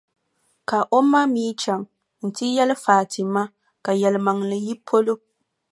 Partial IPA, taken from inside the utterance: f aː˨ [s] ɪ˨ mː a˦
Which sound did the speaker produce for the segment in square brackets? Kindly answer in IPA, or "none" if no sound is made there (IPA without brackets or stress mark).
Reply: t